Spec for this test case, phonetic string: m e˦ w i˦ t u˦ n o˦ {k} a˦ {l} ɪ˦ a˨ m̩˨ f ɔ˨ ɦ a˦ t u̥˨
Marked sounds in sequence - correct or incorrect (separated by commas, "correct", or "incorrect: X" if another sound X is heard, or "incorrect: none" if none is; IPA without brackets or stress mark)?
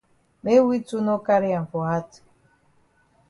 correct, incorrect: ɾ